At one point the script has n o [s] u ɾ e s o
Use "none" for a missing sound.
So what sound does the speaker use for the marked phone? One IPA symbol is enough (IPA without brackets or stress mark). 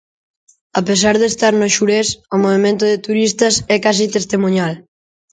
ʃ